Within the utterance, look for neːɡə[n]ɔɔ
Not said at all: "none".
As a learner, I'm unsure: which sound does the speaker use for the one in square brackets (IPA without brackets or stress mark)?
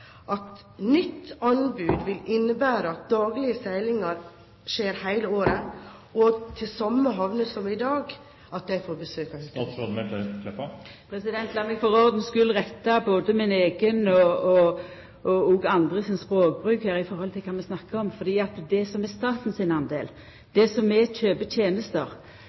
n